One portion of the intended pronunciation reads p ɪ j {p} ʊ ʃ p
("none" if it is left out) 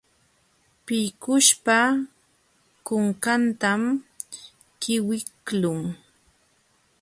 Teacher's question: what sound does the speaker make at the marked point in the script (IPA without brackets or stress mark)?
k